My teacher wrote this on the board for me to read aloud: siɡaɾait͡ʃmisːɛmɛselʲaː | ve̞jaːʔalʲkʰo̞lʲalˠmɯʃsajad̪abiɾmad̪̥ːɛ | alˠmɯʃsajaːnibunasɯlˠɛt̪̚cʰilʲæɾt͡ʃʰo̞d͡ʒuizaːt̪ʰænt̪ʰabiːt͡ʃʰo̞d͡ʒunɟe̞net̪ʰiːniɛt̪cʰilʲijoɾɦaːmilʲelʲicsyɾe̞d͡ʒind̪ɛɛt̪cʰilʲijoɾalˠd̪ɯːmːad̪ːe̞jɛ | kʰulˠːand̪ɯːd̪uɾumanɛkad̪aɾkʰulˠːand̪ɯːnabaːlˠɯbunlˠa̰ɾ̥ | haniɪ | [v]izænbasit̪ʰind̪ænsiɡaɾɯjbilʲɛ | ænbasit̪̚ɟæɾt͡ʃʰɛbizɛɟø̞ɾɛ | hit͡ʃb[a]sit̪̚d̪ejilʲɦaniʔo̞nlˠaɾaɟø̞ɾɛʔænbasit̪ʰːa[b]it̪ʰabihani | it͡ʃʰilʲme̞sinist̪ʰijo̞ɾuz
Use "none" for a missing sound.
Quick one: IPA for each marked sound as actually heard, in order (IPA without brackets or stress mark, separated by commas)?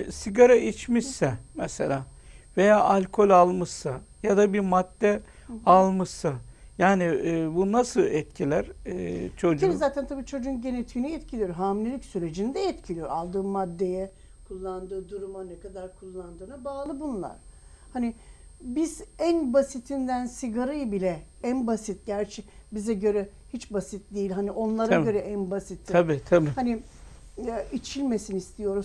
b, a, b